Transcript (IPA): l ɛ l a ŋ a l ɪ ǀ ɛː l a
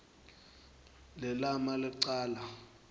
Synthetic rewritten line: l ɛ l a m a l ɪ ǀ aː l a